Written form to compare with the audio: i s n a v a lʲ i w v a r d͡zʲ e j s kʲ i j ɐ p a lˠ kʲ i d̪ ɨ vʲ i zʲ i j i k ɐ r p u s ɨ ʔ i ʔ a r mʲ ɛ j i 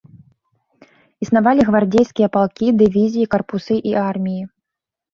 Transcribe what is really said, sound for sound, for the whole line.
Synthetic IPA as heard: i s n a v a lʲ i ɣ v a r d͡zʲ e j s kʲ i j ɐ p a lˠ kʲ i d̪ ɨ vʲ i zʲ i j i k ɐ r p u s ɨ ʔ i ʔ a r mʲ i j i